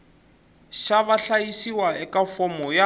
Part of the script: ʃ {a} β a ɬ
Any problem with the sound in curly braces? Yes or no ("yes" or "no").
no